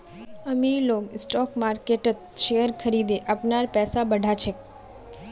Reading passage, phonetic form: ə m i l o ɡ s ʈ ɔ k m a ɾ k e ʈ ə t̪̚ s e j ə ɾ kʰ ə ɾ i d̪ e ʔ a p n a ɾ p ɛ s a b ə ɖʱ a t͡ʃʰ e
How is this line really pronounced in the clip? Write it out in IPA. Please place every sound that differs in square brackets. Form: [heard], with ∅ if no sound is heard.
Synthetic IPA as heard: ə m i l o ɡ s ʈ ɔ k m a ɾ k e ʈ ə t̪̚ [ʃ] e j ə ɾ kʰ ə ɾ i d̪ e ʔ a p n a ɾ p ɛ s a b ə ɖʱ a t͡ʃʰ e